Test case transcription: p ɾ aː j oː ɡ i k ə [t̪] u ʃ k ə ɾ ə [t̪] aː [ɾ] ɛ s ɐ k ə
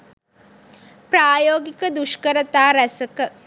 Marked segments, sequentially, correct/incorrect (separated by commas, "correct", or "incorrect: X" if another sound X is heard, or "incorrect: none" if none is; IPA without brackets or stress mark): incorrect: d̪, correct, correct